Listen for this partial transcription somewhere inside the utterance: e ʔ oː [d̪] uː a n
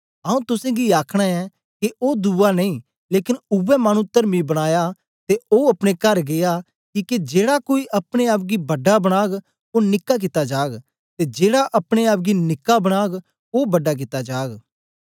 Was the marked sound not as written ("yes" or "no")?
no